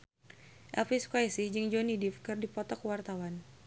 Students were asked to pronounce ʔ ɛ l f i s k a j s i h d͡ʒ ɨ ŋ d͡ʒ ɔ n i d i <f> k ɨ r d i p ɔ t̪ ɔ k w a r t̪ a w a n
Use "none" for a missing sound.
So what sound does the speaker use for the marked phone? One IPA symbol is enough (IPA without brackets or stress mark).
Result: f